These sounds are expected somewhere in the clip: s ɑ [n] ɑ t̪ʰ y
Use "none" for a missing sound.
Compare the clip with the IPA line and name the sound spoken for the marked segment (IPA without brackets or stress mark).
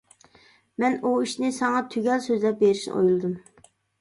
ŋ